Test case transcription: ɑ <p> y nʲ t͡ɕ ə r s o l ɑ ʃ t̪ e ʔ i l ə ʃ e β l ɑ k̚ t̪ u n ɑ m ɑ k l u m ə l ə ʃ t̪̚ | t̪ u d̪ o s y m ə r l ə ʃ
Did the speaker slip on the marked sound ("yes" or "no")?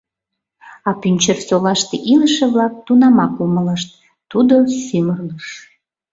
no